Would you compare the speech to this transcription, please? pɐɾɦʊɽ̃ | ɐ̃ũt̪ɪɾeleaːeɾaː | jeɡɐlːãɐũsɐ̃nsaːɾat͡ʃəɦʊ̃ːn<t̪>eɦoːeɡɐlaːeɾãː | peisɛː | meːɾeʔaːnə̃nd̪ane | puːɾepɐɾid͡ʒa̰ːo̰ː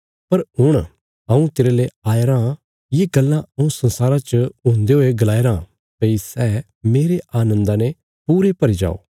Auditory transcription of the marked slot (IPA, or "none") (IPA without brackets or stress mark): d̪